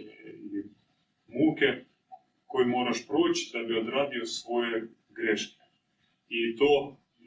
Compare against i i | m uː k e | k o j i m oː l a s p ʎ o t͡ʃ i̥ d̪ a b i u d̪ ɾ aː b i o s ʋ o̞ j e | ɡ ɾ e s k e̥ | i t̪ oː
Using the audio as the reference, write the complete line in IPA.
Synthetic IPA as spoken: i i | m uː k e | k o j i m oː ɾ a ʃ p ɾ o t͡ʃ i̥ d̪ a b i o d̪ ɾ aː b i o s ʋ o̞ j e | ɡ ɾ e ʃ k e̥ | i t̪ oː